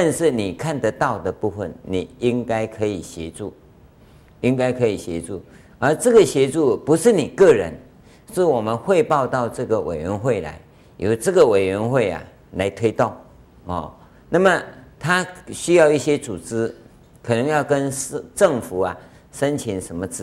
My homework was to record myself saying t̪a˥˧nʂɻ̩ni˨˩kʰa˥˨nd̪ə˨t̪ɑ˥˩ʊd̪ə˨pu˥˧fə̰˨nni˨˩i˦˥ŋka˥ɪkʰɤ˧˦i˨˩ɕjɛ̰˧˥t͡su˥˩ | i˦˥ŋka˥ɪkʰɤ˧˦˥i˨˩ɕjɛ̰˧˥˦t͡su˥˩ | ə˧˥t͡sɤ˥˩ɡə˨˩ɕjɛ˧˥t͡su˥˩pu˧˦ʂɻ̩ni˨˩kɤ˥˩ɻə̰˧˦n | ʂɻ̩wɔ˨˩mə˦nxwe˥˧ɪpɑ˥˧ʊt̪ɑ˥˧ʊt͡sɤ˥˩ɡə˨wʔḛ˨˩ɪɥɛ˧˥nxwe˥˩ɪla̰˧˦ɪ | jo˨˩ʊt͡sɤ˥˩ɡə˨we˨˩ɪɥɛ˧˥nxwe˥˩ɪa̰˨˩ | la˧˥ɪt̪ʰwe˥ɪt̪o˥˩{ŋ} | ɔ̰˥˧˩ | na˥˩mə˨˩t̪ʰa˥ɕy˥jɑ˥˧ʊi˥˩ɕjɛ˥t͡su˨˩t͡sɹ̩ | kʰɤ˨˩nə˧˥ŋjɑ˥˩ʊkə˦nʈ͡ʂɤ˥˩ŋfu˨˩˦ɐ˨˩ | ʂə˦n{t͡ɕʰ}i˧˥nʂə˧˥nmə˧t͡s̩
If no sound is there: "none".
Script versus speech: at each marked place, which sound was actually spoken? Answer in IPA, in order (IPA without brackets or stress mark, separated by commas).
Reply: ŋ, t͡ɕʰ